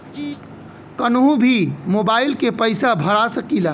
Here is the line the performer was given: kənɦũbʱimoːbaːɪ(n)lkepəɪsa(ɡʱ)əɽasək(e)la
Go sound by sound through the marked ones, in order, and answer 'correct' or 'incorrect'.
incorrect: none, incorrect: bʱ, incorrect: i

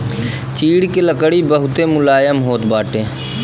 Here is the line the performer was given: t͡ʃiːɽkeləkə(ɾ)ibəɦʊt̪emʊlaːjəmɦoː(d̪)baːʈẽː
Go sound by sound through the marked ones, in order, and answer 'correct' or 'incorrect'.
incorrect: ɽ, incorrect: t̪

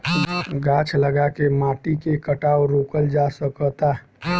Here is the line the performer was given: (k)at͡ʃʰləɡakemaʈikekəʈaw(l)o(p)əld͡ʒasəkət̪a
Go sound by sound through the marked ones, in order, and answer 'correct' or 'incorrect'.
incorrect: ɡ, incorrect: ɾ, incorrect: k

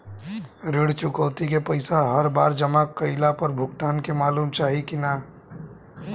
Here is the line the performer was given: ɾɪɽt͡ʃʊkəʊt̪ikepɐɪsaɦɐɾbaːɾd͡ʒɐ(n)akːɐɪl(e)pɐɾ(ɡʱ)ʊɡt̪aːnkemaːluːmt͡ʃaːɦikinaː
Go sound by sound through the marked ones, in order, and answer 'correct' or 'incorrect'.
incorrect: m, incorrect: a, incorrect: bʱ

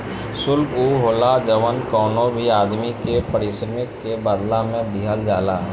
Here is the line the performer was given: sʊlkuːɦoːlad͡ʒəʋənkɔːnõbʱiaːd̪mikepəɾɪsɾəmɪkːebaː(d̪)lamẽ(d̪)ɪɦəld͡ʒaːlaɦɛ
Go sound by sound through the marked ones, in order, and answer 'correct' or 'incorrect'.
correct, correct

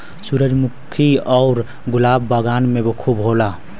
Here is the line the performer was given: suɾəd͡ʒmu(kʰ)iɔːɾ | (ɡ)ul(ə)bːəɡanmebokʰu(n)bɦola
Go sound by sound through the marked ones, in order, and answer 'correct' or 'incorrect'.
correct, correct, incorrect: a, incorrect: none

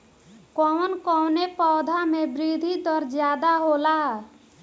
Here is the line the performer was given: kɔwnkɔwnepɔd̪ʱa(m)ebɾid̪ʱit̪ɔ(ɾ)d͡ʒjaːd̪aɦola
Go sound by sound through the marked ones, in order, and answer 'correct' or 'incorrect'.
correct, correct

